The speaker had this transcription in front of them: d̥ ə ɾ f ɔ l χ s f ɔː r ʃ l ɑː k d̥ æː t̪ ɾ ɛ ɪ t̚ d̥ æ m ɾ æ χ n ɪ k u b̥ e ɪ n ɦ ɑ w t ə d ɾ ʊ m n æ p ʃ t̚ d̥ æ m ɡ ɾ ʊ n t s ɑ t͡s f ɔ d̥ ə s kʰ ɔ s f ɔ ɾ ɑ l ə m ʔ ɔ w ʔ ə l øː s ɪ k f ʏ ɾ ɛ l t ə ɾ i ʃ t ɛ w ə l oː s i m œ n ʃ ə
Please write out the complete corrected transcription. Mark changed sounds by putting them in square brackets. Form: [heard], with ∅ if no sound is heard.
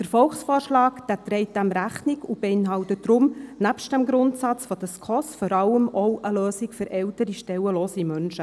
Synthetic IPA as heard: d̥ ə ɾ f ɔ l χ s f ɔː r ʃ l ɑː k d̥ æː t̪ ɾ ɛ ɪ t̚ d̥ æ m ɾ æ χ n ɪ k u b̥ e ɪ n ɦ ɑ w t ə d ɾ ʊ m n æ p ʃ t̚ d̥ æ m ɡ ɾ ʊ n t s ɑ t͡s f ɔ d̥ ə s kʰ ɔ s f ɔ ɾ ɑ l ə m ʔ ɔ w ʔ ə l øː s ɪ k f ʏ ɾ ɛ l t ə ɾ i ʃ t ɛ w ə l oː s i m œ n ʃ ə